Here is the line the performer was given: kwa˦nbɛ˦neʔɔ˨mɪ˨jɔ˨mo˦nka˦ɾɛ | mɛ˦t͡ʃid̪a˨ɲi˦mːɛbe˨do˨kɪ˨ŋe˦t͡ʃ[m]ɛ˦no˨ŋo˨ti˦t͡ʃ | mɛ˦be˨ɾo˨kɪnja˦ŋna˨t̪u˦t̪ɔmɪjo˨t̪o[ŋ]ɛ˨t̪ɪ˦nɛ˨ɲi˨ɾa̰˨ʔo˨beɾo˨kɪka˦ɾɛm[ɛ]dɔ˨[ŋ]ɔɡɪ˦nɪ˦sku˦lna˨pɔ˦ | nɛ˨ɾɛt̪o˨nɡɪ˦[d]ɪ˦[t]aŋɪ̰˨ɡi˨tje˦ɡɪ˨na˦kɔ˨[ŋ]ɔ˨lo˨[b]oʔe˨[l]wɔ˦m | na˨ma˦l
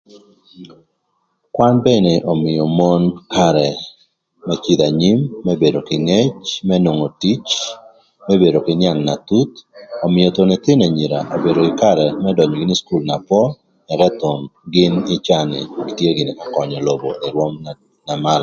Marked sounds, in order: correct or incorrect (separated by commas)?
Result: correct, incorrect, correct, incorrect, incorrect, incorrect, incorrect, correct, incorrect